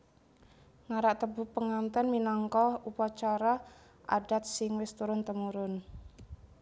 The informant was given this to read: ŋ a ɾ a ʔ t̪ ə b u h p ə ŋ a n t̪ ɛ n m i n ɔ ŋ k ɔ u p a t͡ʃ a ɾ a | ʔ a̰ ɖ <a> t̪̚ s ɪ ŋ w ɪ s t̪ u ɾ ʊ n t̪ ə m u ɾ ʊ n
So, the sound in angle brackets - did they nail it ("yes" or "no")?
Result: yes